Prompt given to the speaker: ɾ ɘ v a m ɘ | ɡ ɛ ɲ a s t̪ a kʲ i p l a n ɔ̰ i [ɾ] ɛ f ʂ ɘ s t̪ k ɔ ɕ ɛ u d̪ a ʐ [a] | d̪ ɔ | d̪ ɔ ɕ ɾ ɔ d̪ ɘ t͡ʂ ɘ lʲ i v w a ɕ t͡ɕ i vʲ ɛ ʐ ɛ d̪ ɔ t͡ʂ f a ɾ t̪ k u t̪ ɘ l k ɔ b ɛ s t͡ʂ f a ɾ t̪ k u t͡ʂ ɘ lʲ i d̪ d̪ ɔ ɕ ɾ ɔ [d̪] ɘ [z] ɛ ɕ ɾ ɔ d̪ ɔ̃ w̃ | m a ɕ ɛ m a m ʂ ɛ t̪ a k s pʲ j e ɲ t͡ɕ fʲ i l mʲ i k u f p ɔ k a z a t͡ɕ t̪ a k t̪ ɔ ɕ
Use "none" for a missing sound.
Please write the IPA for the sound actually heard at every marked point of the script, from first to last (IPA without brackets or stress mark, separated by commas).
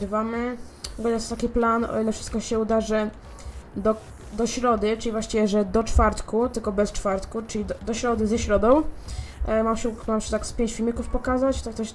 l, ɛ, d̪, z